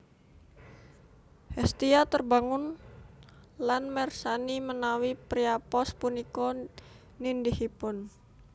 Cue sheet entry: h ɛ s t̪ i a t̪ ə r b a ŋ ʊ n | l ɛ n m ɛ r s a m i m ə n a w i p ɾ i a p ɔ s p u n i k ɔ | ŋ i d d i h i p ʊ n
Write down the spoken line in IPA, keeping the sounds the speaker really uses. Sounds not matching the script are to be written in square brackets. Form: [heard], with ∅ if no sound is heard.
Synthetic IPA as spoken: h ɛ s t̪ i a t̪ ə r b a ŋ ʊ n | l [a] n m ɛ r s a [n] i m ə n a w i p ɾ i a p ɔ s p u n i k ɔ | [n] i [n] d i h i p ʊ n